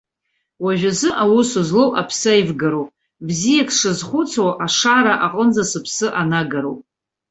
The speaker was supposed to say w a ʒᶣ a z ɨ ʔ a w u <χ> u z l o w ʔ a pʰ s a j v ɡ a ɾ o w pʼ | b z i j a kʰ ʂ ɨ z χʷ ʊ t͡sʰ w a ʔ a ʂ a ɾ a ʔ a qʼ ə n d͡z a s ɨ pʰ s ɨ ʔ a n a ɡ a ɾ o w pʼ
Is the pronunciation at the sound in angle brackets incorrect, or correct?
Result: incorrect: s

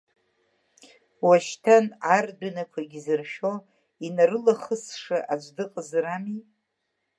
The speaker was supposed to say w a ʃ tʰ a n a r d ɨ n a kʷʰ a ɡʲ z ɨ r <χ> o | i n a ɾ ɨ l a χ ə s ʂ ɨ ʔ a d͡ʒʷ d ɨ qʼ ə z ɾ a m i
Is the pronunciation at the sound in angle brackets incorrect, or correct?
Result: incorrect: ʃ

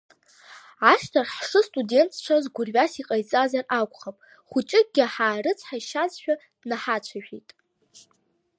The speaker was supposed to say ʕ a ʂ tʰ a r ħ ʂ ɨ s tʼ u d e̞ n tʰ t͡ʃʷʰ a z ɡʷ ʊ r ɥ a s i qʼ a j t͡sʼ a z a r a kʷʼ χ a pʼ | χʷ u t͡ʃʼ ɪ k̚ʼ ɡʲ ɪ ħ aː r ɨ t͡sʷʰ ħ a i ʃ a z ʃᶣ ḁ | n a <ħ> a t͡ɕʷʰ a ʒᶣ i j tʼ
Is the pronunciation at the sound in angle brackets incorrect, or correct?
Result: correct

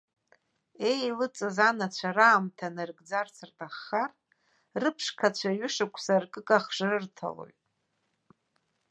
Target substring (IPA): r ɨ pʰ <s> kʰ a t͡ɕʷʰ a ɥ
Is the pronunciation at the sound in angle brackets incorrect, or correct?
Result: incorrect: ʂ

